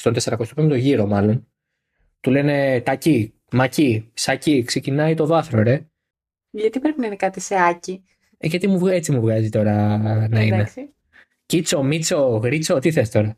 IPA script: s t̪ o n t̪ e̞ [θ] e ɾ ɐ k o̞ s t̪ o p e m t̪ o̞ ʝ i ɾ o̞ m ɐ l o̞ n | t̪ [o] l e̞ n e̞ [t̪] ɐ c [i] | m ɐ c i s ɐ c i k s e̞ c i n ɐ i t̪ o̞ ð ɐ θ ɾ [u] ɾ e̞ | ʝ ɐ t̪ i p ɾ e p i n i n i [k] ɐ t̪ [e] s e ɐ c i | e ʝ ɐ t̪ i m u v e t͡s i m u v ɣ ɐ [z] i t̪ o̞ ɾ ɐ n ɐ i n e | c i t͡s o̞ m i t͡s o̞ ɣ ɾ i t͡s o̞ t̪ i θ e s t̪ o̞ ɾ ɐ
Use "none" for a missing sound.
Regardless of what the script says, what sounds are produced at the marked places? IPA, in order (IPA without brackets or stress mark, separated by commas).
s, u, t̪, i, o, k, i, z